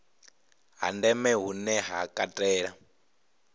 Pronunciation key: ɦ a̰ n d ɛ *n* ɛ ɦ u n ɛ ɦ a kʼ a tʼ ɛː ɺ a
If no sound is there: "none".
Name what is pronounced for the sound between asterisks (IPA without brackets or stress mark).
m